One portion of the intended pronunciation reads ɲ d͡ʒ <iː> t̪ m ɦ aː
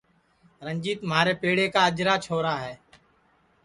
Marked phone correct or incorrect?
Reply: correct